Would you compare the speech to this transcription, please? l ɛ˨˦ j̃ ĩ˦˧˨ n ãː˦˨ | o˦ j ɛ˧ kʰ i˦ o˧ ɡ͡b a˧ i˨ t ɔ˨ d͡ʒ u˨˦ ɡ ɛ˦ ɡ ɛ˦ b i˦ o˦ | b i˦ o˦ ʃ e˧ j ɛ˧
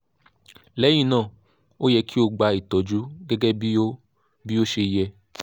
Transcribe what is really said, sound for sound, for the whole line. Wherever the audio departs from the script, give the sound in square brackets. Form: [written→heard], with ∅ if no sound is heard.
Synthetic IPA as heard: l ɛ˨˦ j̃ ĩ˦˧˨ n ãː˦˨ | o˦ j ɛ˧ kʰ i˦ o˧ ɡ͡b a˧ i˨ t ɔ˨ d͡ʒ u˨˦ ɡ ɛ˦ ɡ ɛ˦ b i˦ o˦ | b i˦ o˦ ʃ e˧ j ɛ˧

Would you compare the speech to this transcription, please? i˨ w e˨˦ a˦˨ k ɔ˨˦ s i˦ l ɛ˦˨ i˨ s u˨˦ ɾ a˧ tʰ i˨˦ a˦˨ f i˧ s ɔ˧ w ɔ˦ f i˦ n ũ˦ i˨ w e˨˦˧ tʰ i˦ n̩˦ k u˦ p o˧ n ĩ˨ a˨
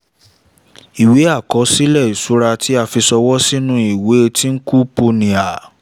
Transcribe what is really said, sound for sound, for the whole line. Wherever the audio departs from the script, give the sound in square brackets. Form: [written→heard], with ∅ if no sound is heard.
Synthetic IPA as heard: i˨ w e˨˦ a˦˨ k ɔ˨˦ s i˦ l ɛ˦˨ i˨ s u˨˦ ɾ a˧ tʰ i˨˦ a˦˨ f i˧ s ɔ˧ w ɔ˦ [f→s] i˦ n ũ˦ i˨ w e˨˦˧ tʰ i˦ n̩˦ k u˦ p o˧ n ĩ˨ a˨

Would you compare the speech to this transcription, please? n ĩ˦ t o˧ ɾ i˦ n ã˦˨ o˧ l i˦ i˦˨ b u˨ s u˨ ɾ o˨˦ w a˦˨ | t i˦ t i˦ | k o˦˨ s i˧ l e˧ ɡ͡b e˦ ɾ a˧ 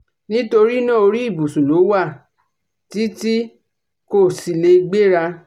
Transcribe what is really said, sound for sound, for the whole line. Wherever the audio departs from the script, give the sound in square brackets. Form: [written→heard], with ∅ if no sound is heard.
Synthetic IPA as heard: n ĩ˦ t o˧ ɾ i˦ n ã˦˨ o˧ [l→ɾ] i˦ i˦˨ b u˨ s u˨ [ɾ→l] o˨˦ w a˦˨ | t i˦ t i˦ | k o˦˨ s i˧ l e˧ ɡ͡b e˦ ɾ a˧

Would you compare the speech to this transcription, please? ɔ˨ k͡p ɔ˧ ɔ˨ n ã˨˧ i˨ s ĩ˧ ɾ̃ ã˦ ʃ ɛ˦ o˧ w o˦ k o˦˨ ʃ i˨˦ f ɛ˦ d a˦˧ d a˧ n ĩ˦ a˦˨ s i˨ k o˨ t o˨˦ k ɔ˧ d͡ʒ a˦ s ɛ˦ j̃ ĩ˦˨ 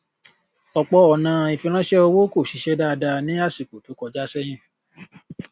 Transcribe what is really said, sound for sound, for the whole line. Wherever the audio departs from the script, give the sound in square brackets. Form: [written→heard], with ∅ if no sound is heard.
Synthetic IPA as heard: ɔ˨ k͡p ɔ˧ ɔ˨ n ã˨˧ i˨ [s→f] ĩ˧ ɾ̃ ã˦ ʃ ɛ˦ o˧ w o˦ k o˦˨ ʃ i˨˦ [f→ʃ] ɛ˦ d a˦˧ d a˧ n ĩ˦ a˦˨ s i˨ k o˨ t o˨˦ k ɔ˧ d͡ʒ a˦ s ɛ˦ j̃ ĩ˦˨

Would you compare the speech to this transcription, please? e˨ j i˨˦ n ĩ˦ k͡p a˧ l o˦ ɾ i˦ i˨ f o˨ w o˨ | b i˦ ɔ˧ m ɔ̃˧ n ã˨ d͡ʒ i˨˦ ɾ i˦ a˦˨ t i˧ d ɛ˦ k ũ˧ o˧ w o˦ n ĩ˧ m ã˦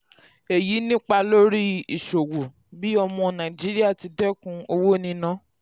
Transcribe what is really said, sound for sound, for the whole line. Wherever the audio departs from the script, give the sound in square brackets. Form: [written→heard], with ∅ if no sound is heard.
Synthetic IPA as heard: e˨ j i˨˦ n ĩ˦ k͡p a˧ l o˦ ɾ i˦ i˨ [f→ʃ] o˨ w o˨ | b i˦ ɔ˧ m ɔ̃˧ n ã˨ d͡ʒ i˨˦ ɾ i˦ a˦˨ t i˧ d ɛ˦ k ũ˧ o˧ w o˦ n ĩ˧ [m→n] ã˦

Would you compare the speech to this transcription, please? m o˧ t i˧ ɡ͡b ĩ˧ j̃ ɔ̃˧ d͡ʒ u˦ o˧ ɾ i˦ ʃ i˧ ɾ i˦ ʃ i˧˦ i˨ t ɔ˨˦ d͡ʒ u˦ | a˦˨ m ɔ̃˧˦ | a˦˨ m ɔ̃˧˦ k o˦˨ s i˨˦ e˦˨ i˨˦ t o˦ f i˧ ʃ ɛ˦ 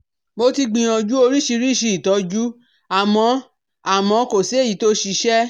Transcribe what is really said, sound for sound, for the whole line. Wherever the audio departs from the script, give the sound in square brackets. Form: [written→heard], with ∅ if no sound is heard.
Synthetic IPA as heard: m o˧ t i˧ ɡ͡b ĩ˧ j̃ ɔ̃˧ d͡ʒ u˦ o˧ ɾ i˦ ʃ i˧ ɾ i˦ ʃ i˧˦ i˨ t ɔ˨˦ d͡ʒ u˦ | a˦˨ m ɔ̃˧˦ | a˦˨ m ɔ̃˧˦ k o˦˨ s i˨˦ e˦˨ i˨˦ t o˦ [f→ʃ] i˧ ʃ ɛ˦

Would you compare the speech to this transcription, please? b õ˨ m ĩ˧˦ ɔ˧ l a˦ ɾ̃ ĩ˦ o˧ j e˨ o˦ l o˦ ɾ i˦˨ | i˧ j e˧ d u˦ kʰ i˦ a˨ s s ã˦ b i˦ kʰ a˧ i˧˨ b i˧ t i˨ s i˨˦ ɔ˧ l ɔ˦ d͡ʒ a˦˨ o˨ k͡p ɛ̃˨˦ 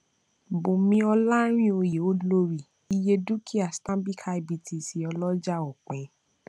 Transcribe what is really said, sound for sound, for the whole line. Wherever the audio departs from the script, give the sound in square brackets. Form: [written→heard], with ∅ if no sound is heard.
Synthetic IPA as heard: b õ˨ m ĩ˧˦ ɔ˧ l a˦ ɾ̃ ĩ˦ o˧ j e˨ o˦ l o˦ ɾ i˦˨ | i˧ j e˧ d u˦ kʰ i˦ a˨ s [s→t] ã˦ b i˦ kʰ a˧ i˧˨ b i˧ t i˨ s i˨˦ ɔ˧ l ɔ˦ d͡ʒ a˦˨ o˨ k͡p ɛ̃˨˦

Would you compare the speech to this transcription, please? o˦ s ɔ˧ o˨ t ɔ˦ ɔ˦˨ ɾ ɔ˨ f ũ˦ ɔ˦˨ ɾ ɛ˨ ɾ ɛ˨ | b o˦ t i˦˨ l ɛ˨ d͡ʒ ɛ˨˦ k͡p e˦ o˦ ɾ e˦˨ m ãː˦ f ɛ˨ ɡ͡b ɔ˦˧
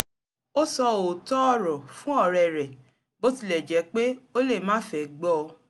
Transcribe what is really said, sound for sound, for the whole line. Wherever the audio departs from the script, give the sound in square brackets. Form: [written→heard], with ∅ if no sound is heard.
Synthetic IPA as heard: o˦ s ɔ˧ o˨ t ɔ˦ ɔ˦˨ ɾ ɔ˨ f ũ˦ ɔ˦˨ ɾ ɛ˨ ɾ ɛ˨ | b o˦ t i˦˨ l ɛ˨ d͡ʒ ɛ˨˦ k͡p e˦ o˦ [ɾ→l] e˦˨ m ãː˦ f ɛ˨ ɡ͡b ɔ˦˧

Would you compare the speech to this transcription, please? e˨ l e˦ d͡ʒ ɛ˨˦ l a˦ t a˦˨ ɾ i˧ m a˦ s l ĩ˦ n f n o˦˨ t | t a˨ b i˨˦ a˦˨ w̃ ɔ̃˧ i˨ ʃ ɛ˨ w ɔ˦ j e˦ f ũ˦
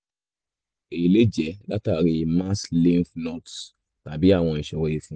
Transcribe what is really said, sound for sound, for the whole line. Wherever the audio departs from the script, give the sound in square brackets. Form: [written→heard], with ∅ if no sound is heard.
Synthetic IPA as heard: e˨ l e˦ d͡ʒ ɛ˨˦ l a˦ t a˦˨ ɾ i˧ m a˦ s l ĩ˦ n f n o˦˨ t | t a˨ b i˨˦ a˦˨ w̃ ɔ̃˧ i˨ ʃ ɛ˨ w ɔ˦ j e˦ f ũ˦

